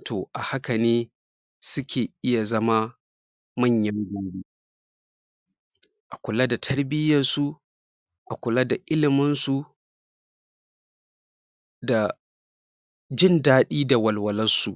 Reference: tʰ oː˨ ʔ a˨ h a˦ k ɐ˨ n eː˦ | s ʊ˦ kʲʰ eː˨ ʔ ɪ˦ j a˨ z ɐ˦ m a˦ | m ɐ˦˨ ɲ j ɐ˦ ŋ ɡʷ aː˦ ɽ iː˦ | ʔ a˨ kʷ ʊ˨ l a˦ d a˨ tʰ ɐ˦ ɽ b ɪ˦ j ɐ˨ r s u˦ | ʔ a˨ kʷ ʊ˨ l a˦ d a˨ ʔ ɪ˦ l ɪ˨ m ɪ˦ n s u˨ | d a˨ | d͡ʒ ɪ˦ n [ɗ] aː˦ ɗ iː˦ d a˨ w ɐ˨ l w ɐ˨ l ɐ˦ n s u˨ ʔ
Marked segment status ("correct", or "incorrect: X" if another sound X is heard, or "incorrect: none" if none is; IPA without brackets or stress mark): incorrect: d